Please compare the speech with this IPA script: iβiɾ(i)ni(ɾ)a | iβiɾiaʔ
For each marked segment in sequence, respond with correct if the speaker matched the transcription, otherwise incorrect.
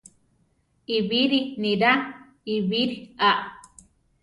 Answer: correct, correct

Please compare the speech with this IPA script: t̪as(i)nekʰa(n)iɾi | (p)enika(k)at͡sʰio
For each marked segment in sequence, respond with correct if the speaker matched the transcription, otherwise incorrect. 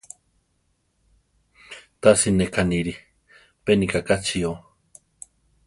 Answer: correct, correct, correct, correct

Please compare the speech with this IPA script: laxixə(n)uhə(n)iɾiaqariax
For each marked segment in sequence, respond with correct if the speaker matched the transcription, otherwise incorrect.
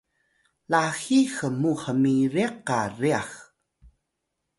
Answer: incorrect: m, incorrect: m

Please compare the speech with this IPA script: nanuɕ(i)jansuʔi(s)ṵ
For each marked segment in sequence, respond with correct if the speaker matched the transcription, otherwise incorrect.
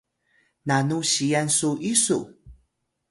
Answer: correct, correct

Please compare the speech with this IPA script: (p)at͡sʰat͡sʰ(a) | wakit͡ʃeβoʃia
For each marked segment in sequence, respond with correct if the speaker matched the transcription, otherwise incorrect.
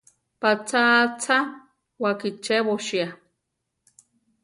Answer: correct, correct

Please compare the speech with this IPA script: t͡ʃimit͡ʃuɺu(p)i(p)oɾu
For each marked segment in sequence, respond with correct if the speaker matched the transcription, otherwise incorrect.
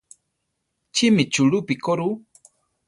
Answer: correct, incorrect: k

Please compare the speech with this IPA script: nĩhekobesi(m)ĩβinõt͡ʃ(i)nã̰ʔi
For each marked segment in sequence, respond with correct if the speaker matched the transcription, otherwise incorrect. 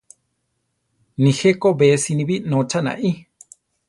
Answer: incorrect: n, incorrect: a

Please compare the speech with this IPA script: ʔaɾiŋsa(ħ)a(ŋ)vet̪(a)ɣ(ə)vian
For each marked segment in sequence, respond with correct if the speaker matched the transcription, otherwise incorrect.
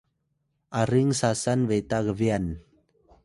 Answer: incorrect: s, incorrect: n, correct, correct

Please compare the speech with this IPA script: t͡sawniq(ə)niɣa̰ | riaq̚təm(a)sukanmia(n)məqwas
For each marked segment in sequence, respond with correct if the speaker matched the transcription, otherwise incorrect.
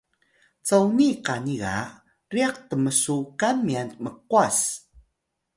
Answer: incorrect: a, incorrect: ə, correct

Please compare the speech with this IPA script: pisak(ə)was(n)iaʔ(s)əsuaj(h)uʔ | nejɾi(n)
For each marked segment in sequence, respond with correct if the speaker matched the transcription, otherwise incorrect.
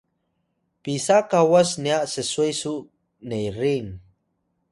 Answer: incorrect: a, correct, correct, incorrect: s, incorrect: ŋ

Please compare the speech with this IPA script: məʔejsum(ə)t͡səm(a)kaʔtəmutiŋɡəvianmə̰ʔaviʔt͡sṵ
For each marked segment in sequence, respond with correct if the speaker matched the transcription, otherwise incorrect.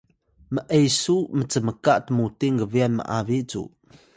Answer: correct, incorrect: ə

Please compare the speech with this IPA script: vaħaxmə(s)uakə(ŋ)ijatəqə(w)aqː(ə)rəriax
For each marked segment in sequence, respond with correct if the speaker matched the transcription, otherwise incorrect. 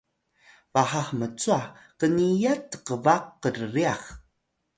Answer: incorrect: t͡s, incorrect: n, incorrect: v, correct

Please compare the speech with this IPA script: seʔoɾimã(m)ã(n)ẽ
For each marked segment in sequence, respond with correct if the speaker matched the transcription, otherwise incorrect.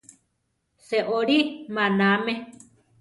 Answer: incorrect: n, incorrect: m

